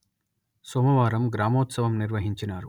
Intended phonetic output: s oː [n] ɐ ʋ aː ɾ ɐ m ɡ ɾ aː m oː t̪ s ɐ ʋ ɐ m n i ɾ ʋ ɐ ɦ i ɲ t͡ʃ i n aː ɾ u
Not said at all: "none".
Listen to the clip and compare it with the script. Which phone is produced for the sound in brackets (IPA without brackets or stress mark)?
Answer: m